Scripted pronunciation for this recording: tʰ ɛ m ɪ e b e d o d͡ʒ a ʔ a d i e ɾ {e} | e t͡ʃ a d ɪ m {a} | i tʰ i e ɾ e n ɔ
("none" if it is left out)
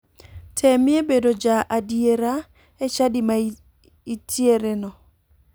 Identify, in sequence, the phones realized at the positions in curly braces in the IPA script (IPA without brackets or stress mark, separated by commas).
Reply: a, a